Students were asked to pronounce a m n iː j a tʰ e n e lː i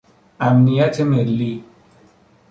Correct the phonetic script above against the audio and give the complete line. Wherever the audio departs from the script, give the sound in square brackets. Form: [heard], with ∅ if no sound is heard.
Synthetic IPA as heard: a m n [i] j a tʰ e [m] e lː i